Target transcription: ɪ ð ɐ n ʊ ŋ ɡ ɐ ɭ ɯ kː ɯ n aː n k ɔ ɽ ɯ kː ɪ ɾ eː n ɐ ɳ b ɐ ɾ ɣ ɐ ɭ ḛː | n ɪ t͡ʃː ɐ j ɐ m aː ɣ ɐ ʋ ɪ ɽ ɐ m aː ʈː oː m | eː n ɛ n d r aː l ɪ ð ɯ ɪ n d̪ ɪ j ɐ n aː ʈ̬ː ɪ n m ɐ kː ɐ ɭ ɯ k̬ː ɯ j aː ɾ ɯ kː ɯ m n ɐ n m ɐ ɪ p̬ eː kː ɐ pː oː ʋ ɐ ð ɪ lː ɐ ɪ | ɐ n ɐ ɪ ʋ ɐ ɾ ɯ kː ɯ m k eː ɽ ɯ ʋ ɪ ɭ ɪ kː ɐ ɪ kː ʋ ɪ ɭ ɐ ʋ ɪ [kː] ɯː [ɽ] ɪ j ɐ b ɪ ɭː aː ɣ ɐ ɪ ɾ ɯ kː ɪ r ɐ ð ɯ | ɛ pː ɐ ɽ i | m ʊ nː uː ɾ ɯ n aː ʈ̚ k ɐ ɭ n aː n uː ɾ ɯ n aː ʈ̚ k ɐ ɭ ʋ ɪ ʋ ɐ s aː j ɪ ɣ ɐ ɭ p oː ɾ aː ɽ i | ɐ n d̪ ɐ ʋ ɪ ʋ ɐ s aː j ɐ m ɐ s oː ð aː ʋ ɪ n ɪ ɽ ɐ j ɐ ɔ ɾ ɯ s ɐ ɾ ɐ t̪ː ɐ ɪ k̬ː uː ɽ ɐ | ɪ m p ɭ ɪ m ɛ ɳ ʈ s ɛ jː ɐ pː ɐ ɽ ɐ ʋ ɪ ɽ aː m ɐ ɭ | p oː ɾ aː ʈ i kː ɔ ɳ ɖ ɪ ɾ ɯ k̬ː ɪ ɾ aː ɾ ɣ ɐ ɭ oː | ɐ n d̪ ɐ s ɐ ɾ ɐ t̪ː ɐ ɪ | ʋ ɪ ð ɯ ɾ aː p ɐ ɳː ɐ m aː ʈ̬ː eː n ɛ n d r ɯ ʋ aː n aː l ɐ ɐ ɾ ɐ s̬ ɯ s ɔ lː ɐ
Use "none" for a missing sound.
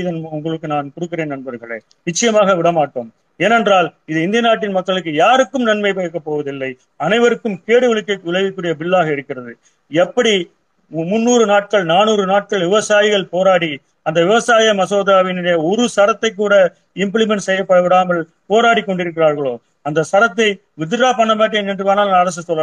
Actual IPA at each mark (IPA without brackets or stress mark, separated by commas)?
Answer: kː, ɽ